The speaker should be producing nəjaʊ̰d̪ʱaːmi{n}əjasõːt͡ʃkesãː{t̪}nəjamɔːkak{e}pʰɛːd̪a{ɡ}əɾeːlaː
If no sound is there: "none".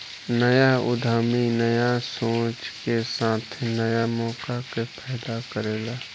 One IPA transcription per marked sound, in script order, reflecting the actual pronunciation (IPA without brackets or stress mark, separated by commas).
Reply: n, t̪ʰ, e, k